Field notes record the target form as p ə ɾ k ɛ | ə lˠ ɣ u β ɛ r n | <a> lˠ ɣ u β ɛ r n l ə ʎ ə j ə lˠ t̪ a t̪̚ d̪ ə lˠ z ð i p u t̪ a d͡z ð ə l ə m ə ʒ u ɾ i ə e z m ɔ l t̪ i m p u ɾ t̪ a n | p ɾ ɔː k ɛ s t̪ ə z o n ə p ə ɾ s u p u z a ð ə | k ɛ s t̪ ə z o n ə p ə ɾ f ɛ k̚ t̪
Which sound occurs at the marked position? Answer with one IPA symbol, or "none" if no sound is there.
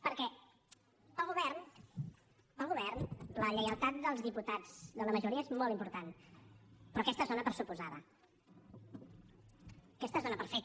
ə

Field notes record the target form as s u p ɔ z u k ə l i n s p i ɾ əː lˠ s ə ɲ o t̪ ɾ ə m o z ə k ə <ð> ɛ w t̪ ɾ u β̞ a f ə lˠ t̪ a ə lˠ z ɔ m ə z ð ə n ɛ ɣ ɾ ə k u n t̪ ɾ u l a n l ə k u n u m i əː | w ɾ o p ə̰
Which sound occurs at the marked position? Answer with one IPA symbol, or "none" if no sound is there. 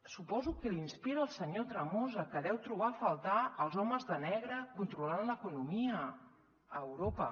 ð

